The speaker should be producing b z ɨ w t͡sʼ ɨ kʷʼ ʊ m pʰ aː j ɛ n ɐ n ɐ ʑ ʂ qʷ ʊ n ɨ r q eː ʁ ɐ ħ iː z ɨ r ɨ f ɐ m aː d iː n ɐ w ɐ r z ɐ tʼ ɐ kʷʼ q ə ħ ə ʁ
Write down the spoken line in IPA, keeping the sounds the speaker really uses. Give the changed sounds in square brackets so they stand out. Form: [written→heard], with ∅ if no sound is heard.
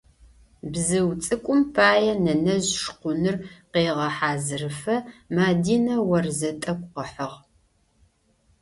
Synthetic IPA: b z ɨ w t͡sʼ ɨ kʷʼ ʊ m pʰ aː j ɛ n ɐ n ɐ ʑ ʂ qʷ ʊ n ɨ r q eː ʁ ɐ ħ [iː→aː] z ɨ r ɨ f ɐ m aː d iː n ɐ w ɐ r z ɐ tʼ ɐ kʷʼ q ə ħ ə ʁ